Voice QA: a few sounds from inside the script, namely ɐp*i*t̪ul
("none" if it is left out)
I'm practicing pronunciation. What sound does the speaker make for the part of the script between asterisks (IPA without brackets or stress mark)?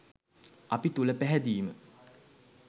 i